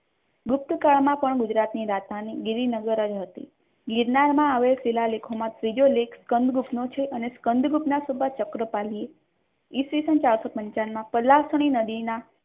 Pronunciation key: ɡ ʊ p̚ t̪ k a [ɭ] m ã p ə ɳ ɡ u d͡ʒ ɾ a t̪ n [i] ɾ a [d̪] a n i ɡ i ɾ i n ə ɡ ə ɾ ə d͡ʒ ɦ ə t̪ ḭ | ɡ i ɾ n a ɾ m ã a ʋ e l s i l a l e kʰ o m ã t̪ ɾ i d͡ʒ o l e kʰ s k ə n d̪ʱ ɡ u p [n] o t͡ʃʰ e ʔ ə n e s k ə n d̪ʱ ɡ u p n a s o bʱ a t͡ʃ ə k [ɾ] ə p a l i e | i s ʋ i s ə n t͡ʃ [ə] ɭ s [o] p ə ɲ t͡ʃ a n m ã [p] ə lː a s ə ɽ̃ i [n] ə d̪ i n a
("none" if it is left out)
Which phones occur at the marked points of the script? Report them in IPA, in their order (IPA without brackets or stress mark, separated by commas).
ɭ, i, t̪, n, ɾ, a, o, p, n